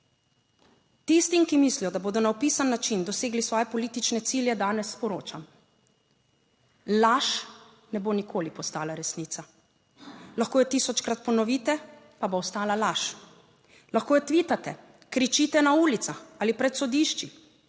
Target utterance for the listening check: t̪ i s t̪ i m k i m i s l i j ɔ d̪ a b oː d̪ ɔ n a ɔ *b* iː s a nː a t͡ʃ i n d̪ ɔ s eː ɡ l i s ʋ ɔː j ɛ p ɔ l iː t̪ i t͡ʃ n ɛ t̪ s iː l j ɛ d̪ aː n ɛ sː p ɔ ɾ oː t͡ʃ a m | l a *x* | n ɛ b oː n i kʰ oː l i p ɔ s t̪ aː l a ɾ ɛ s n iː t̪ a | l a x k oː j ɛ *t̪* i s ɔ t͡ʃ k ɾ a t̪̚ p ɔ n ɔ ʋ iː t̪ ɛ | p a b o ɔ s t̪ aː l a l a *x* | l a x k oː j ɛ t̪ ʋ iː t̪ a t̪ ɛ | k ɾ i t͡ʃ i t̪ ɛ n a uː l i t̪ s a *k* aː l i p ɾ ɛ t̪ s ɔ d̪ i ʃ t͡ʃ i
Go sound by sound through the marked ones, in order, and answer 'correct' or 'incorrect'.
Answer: incorrect: p, incorrect: ʃ, correct, incorrect: ʃ, incorrect: x

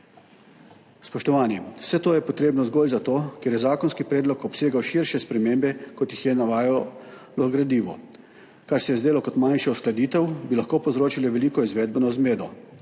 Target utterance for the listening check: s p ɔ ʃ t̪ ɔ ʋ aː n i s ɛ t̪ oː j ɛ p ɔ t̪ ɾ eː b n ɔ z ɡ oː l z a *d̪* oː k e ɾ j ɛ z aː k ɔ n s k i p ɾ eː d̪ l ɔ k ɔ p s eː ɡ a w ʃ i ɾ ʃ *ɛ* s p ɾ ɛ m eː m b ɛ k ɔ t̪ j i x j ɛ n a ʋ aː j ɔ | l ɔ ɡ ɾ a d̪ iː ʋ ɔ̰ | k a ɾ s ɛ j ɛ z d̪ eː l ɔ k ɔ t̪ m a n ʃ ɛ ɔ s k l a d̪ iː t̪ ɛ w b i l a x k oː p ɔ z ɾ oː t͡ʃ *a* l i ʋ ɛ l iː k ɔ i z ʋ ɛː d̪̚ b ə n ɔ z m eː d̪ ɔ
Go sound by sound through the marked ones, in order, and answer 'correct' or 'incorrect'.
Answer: incorrect: t̪, correct, incorrect: i

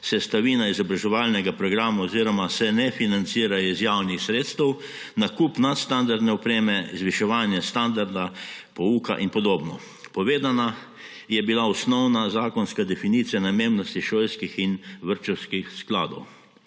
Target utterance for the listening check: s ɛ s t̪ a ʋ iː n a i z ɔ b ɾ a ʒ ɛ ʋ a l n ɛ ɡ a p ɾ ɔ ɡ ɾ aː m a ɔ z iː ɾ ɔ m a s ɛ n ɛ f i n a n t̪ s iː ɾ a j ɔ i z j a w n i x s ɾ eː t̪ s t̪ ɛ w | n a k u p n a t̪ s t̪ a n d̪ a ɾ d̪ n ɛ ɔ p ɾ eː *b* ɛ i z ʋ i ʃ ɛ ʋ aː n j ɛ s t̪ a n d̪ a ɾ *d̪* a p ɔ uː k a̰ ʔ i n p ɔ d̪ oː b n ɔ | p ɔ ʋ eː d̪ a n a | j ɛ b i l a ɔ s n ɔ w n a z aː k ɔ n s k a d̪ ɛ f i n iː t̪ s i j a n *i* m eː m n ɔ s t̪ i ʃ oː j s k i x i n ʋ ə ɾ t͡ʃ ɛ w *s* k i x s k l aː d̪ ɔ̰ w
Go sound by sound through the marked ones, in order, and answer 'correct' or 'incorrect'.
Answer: incorrect: m, correct, incorrect: a, correct

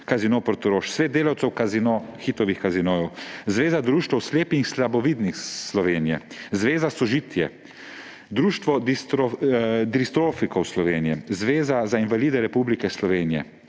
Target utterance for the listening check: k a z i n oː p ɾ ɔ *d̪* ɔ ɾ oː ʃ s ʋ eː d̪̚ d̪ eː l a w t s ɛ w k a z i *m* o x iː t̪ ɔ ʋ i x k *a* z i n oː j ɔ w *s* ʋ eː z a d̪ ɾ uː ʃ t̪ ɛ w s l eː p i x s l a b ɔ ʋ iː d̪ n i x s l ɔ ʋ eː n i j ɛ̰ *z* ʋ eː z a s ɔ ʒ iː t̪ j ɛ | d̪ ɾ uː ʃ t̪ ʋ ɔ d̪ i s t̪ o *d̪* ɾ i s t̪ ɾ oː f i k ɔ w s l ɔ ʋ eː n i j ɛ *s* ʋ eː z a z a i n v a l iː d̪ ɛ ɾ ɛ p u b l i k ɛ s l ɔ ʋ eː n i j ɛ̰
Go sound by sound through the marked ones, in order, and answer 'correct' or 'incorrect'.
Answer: incorrect: t̪, incorrect: n, correct, incorrect: z, correct, correct, incorrect: z

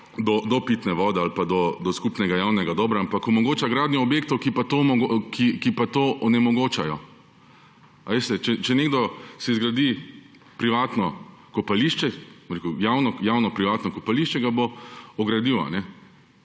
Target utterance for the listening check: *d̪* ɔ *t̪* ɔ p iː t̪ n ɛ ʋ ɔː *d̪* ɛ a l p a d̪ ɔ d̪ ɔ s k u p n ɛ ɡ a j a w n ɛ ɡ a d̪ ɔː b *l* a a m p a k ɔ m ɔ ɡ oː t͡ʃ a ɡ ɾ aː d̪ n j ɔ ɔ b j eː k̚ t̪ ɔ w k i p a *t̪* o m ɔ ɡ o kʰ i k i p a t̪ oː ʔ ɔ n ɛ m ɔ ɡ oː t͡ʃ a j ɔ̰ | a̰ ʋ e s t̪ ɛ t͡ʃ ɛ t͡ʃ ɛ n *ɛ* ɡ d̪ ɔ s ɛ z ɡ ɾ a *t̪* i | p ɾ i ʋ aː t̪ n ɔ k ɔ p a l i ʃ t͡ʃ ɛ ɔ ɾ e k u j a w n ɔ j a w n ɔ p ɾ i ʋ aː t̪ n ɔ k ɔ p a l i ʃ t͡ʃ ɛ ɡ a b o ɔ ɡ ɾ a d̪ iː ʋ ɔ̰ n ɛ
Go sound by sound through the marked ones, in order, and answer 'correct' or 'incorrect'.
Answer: correct, incorrect: d̪, correct, incorrect: ɾ, correct, incorrect: e, incorrect: d̪

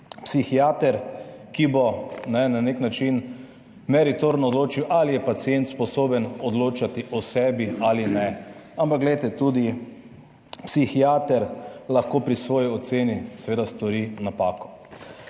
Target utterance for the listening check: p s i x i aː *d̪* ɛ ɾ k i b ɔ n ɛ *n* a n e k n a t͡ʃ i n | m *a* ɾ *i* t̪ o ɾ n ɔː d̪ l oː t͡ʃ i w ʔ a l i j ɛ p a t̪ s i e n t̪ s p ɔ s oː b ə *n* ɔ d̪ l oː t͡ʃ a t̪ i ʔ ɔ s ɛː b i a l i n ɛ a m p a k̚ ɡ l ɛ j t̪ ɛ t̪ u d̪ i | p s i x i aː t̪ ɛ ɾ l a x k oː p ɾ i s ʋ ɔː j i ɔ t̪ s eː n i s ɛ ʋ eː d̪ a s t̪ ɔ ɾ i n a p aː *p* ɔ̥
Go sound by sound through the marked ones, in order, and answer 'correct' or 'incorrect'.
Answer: incorrect: t̪, correct, incorrect: ɛ, correct, correct, incorrect: k

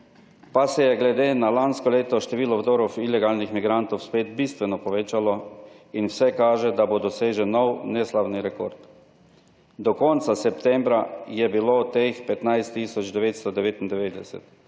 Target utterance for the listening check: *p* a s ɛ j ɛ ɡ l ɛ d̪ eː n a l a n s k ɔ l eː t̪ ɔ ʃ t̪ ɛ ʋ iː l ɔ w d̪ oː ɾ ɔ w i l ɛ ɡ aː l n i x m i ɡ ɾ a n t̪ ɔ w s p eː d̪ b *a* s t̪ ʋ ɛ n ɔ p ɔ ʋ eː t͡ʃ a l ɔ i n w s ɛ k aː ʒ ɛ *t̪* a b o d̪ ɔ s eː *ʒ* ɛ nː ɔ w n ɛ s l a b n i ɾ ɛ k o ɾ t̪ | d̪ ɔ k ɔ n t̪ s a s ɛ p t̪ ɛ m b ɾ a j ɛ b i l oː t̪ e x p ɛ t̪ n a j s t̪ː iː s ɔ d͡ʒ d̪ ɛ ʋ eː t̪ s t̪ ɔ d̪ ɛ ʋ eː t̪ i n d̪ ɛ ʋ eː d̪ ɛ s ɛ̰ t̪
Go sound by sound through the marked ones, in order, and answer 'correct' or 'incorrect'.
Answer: correct, incorrect: i, incorrect: d̪, correct

